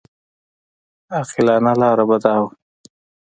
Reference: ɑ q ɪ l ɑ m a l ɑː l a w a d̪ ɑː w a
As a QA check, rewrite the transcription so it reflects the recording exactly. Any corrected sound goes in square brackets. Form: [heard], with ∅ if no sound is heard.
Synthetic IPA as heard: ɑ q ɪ l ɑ [n] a l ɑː [ɾ] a [b] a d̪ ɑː w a